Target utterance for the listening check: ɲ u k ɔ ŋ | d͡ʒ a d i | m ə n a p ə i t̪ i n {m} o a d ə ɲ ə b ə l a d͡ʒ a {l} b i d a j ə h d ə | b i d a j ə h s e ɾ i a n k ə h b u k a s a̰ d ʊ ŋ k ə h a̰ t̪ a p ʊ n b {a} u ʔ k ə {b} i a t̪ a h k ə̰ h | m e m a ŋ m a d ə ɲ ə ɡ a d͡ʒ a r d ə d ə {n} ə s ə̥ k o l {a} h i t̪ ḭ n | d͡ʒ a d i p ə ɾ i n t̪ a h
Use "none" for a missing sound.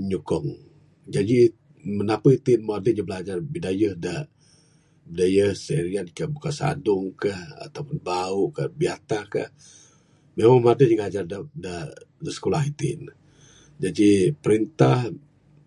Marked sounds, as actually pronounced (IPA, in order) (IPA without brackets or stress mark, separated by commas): m, r, a, b, d, a